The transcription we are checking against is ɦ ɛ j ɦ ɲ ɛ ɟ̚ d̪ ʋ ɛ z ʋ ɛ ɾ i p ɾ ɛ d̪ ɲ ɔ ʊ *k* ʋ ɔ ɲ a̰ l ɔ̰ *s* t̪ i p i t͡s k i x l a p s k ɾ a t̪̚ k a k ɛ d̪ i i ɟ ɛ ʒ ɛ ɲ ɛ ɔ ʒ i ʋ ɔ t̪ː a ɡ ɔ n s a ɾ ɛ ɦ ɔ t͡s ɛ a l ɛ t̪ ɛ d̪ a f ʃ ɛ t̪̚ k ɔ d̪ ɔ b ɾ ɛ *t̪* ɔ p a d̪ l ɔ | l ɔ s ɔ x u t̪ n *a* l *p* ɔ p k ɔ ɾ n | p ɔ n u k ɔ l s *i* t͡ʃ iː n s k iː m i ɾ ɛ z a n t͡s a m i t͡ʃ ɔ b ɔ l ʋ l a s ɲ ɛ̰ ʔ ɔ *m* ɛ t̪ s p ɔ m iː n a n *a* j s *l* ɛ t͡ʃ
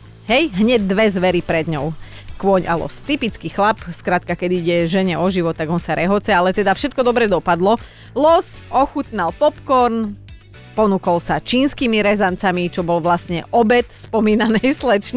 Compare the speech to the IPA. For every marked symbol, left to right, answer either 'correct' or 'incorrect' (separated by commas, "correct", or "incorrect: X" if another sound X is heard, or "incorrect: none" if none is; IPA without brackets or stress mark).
correct, correct, incorrect: d̪, correct, correct, incorrect: a, incorrect: b, incorrect: ɛ, correct